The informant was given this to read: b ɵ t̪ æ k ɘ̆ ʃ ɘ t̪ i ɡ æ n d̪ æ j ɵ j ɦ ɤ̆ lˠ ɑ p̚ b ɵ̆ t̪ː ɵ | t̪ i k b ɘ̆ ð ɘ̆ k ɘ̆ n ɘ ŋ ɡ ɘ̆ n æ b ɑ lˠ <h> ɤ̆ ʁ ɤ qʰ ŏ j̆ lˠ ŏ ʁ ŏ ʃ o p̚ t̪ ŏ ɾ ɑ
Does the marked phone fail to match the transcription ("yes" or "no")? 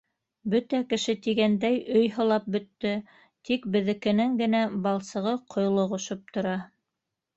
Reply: yes